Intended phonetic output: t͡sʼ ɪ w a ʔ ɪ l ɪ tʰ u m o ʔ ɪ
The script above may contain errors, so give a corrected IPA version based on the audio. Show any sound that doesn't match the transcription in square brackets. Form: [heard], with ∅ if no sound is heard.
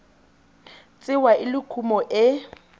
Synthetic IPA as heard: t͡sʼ ɪ w a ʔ ɪ l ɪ [kʰ] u m [ɔ] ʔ ɪ